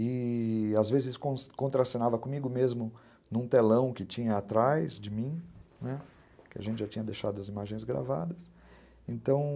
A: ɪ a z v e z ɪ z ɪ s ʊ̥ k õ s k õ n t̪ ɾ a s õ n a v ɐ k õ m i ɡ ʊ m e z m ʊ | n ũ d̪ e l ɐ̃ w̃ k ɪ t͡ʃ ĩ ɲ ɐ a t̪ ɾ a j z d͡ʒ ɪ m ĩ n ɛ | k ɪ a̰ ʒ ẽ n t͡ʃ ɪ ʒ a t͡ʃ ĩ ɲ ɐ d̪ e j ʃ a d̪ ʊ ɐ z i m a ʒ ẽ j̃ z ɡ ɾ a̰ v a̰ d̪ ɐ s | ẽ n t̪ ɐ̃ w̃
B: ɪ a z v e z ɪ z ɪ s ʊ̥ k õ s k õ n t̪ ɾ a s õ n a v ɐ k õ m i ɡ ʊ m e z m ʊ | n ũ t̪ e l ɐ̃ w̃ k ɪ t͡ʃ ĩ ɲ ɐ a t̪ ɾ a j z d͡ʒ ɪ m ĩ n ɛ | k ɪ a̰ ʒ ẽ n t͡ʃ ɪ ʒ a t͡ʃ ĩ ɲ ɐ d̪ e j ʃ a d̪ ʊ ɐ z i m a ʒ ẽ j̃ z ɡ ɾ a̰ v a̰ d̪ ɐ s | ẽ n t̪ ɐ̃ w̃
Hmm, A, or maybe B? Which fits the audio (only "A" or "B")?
B